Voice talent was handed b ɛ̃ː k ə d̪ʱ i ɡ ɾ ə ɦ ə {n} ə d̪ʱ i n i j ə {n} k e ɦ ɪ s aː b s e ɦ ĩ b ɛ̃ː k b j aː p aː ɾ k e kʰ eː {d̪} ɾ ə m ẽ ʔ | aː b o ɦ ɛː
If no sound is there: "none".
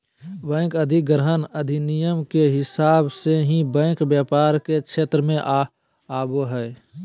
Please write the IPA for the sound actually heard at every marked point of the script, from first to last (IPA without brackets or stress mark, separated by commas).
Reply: n, m, t̪